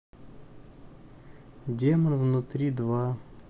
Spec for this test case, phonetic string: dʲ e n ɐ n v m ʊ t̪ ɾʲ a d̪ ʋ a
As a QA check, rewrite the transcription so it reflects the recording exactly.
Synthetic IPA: dʲ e m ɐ n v n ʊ t̪ ɾʲ i d̪ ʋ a